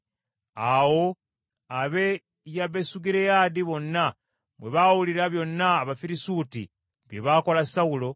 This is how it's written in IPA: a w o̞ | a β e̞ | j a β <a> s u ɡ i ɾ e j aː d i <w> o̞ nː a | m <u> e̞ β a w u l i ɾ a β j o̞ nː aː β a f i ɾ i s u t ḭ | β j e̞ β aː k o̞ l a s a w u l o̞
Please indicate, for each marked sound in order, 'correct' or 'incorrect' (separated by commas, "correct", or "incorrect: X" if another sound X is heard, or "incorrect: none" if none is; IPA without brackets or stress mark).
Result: incorrect: e, incorrect: β, incorrect: w